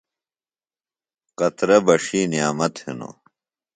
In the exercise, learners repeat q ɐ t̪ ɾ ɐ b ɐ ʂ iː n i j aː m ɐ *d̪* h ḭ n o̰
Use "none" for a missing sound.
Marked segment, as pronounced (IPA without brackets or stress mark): t̪